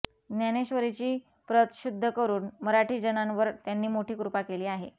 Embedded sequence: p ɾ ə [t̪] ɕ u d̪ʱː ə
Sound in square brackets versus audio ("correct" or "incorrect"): correct